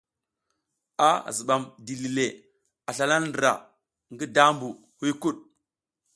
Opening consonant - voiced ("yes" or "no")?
yes